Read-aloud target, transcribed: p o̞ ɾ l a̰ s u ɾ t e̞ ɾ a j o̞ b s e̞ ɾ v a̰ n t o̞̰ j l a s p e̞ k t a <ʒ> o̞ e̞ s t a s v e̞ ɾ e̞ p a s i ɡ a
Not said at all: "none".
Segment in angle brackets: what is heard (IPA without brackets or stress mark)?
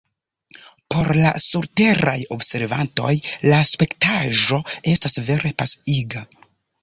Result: ʒ